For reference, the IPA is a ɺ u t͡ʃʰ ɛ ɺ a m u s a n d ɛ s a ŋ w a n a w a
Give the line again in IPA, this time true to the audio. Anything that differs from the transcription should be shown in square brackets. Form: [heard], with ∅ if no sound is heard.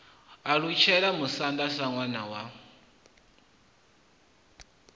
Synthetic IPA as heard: a ɺ u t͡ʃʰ ɛ ɺ a m u s a n d [a] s a ŋ w a n a w a